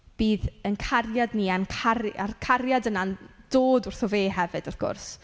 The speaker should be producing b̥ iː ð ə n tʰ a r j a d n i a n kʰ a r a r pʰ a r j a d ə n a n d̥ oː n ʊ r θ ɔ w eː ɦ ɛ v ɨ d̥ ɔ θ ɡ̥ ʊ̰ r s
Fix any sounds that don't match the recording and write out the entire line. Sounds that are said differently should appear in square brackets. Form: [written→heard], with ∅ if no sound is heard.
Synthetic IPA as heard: b̥ iː ð ə n [tʰ→kʰ] a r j a d n i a n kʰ a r a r [pʰ→kʰ] a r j a d ə n a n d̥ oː [n→d] ʊ r θ ɔ [w→v] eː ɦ ɛ v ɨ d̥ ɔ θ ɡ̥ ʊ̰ r s